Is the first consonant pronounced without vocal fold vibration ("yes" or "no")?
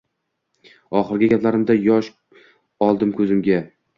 yes